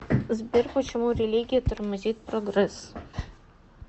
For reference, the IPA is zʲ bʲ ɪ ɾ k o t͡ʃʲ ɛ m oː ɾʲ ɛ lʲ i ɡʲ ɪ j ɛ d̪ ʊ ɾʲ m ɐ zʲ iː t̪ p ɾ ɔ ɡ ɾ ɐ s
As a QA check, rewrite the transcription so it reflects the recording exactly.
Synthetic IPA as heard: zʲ bʲ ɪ ɾ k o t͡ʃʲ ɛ m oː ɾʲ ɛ lʲ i ɡʲ ɪ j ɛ t̪ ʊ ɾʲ m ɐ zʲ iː t̪ p ɾ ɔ ɡ ɾ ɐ s